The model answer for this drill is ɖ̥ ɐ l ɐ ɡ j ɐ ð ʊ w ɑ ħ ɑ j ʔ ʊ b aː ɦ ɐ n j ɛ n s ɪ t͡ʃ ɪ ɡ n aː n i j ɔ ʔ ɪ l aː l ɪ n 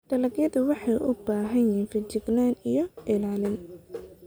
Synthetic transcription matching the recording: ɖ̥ ɐ l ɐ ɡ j ɐ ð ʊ w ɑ ħ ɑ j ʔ ʊ b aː ɦ ɐ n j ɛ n f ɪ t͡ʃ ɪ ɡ n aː n i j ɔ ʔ ɪ l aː l ɪ n